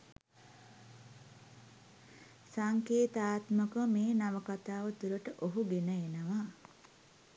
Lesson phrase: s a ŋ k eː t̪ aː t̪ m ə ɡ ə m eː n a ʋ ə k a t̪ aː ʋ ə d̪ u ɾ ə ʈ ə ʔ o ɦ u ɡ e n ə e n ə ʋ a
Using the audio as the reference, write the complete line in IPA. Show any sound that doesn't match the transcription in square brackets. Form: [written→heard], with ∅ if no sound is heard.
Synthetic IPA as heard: s a ŋ k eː t̪ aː t̪ m ə [ɡ→k] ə m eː n a ʋ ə k a t̪ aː ʋ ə [d̪→t̪] u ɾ ə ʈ ə ʔ o ɦ u ɡ e n ə e n ə ʋ a